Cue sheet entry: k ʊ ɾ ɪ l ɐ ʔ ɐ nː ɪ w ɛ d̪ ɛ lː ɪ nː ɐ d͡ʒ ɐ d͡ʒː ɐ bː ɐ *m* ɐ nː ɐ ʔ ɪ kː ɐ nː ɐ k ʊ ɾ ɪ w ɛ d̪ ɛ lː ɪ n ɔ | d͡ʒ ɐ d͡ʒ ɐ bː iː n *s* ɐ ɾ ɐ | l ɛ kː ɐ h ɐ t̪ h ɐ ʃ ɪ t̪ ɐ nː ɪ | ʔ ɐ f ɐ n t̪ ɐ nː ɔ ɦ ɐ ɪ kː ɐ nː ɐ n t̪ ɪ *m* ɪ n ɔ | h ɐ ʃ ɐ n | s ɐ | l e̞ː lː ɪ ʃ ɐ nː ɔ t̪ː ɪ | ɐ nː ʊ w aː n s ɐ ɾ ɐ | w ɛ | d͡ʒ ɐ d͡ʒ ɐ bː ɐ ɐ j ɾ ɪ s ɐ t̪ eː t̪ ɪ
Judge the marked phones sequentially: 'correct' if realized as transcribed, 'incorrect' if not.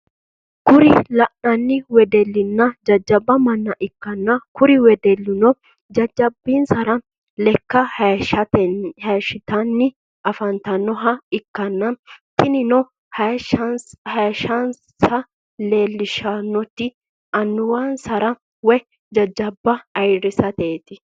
correct, correct, incorrect

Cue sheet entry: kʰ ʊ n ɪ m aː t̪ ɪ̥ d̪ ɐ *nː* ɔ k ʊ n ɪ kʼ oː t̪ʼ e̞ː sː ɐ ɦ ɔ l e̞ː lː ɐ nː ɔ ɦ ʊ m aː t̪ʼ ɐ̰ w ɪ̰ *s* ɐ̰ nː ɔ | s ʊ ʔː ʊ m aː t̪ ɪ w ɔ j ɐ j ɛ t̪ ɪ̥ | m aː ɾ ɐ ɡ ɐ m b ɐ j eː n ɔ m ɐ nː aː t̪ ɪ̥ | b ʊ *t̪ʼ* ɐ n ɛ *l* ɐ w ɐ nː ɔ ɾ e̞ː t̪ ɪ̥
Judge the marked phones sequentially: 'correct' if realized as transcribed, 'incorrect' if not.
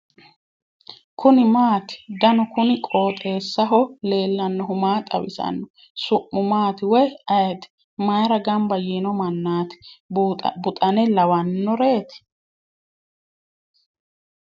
incorrect, correct, correct, correct

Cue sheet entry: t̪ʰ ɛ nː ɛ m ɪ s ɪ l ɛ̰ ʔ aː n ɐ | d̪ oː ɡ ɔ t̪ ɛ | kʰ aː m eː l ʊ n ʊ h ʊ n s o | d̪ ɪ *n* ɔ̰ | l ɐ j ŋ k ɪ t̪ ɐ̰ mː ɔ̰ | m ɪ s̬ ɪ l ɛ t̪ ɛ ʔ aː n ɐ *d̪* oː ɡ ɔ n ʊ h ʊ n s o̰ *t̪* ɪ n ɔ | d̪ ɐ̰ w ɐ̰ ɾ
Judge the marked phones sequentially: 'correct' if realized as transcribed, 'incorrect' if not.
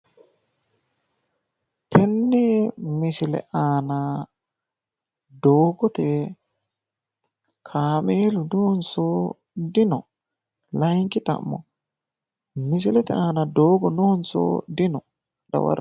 correct, correct, incorrect

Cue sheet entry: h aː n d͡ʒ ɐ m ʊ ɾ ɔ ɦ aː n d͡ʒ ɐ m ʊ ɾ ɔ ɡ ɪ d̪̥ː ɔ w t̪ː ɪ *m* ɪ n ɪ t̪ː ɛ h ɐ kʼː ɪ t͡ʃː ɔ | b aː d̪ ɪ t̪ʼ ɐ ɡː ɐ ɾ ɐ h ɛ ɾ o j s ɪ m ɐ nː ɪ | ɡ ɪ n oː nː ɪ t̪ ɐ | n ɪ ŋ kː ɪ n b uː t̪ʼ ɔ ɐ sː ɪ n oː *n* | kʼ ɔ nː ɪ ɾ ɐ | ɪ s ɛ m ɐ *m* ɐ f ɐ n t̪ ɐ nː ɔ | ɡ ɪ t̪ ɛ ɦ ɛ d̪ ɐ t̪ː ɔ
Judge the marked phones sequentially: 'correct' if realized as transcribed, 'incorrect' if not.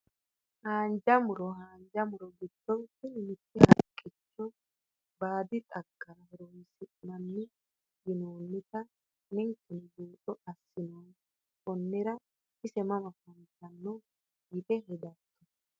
incorrect, correct, correct

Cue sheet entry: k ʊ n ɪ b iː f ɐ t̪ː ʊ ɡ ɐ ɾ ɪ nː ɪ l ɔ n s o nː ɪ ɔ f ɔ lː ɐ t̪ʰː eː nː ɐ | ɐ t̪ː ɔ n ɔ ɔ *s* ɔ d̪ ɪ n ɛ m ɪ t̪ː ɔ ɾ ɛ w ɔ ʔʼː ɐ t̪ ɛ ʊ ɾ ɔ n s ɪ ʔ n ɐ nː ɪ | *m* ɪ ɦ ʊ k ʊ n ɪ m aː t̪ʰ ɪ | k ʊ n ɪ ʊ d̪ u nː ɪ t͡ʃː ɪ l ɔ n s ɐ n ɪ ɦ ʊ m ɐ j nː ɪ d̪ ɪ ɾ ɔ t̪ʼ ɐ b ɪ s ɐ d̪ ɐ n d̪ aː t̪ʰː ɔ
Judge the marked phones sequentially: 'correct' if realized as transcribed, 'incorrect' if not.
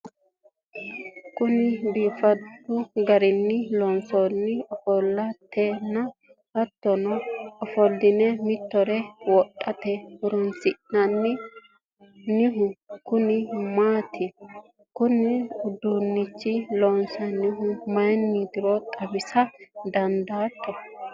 incorrect, incorrect

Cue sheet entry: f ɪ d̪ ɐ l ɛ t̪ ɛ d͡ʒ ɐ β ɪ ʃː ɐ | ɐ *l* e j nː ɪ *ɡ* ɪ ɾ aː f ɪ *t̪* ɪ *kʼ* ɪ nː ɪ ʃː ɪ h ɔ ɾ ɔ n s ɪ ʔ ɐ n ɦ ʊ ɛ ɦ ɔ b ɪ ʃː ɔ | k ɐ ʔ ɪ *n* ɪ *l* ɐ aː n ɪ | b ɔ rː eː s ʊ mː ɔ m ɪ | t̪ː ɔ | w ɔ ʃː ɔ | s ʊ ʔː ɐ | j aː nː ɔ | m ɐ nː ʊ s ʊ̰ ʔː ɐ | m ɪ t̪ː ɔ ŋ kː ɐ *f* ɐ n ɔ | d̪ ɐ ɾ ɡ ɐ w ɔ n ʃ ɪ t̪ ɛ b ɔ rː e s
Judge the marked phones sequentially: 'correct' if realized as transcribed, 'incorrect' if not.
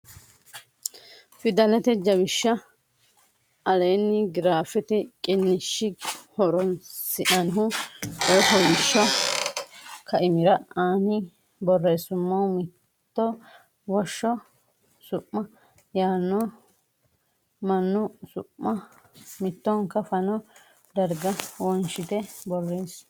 correct, correct, correct, correct, incorrect, incorrect, correct

